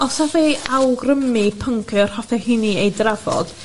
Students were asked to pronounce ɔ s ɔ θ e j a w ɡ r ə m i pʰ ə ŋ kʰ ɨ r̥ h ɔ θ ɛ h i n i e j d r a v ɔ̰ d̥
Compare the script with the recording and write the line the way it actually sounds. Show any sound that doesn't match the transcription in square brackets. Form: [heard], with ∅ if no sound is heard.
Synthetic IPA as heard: ɔ s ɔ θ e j a w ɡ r ə m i pʰ ə ŋ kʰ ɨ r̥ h ɔ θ ɛ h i n i e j d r a v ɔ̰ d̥